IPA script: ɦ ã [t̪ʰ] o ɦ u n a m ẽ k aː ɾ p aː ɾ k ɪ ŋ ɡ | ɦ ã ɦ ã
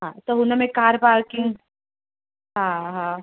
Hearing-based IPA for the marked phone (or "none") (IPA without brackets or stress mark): t̪